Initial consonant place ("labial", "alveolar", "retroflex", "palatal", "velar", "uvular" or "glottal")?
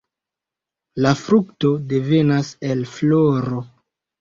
alveolar